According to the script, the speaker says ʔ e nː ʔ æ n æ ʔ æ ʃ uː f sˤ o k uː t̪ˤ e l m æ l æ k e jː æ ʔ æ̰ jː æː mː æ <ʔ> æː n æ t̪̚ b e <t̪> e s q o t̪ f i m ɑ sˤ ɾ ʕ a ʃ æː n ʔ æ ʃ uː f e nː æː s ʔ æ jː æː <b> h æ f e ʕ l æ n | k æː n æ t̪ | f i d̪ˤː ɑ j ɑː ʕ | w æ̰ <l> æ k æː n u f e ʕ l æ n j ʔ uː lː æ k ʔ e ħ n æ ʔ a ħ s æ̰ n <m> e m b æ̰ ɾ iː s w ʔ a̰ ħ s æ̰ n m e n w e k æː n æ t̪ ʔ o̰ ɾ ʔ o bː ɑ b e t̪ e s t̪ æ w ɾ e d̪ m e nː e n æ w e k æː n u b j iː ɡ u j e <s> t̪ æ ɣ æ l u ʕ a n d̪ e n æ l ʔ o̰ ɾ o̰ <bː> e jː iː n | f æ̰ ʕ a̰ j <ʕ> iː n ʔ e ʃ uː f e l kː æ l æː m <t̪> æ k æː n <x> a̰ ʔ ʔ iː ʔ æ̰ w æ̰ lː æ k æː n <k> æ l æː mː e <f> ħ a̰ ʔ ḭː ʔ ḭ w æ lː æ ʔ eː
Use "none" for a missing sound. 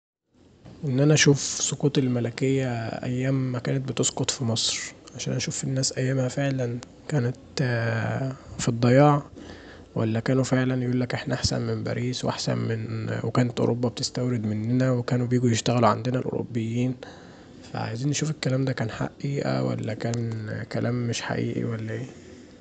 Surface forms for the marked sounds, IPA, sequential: k, t̪, m, lː, m, ʃ, bː, z, d̪, ħ, k, ʃ

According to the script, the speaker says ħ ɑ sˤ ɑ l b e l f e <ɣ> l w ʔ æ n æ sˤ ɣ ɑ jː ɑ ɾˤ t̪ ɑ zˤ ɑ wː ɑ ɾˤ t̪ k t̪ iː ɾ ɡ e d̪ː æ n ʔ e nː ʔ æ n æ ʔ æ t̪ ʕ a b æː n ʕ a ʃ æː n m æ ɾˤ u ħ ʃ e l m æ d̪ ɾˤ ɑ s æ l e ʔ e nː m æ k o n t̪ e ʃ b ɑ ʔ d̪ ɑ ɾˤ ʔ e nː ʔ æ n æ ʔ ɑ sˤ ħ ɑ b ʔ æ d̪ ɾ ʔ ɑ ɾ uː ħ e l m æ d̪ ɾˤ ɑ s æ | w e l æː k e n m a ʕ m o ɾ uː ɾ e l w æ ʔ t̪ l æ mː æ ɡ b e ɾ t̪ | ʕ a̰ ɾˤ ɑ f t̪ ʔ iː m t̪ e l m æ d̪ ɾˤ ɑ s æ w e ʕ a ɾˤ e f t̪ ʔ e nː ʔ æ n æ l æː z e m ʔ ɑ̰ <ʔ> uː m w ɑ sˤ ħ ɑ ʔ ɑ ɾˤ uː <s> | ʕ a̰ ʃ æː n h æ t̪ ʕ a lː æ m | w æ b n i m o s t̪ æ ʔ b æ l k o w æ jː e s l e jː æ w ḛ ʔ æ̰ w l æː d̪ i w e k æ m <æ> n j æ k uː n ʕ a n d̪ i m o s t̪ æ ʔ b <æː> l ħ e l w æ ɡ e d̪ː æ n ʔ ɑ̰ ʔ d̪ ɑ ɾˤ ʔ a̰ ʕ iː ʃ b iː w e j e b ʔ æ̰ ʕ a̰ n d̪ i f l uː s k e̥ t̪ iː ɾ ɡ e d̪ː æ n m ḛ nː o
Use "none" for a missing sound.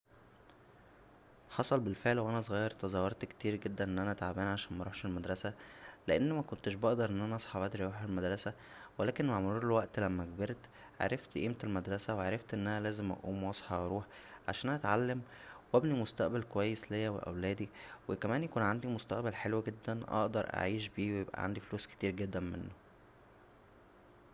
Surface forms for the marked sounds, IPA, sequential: ʕ, ʔ, ħ, æː, æ

